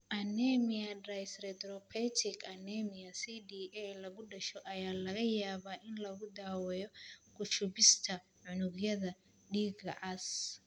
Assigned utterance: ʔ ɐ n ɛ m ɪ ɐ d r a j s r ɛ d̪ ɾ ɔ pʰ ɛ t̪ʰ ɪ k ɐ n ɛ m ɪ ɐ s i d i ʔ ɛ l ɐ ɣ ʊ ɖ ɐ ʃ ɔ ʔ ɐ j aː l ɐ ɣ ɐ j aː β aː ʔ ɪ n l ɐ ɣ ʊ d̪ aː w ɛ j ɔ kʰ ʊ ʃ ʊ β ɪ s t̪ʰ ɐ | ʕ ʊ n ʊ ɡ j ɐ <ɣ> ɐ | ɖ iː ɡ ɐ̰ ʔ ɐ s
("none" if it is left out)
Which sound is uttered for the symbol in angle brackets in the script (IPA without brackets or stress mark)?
ð